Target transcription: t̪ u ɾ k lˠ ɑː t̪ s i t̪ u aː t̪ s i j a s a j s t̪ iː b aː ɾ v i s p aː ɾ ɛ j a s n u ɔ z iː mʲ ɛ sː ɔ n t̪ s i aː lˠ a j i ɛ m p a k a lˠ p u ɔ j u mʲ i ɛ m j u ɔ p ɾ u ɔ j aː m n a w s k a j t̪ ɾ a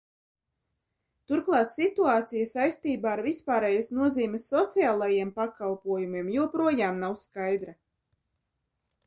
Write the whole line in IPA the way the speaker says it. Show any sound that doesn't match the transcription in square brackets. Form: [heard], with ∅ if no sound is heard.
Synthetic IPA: t̪ u ɾ k lˠ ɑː t̪ s i t̪ u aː t̪ s i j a s a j s t̪ iː b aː ɾ v i s p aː ɾ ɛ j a s n u ɔ z iː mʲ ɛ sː ɔ [∅] t̪ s i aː lˠ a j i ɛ m p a k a lˠ p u ɔ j u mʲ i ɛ m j u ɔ p ɾ u ɔ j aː m n a w s k a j [d̪] ɾ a